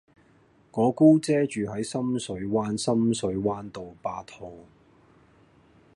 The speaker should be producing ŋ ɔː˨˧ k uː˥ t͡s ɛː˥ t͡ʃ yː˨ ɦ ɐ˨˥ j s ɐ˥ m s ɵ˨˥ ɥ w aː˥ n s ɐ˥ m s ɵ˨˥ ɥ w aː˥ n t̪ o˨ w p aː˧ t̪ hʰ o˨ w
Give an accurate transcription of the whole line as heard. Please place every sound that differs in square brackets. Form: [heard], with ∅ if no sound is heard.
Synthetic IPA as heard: ŋ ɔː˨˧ k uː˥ t͡s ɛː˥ t͡ʃ yː˨ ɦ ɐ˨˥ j s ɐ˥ m s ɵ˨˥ ɥ w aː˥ n s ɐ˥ m s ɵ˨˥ ɥ w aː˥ n t̪ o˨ w p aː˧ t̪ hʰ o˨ w